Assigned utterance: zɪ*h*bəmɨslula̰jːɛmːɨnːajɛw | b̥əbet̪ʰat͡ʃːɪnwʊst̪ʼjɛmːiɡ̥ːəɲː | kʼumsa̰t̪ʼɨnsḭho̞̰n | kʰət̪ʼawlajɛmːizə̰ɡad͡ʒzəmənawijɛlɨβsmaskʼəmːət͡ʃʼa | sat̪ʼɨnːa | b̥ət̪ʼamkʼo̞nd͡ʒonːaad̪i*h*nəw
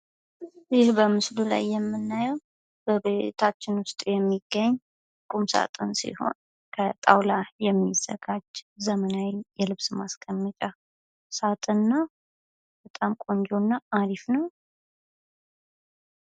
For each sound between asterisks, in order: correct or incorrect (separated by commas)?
correct, incorrect